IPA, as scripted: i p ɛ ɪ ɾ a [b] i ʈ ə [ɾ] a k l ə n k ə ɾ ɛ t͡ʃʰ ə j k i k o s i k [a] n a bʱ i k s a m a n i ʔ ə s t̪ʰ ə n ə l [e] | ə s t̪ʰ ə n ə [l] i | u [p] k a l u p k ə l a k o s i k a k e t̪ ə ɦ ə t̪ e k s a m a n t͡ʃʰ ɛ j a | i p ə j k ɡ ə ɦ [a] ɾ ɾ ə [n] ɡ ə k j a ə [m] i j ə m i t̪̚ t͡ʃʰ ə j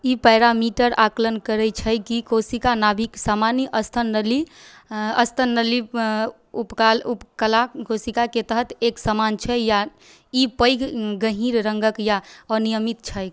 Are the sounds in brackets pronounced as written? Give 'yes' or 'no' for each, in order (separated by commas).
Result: no, yes, yes, no, yes, yes, no, no, no